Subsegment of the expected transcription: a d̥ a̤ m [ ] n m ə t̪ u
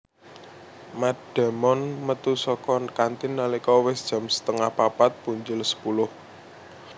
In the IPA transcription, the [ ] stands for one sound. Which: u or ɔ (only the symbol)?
ɔ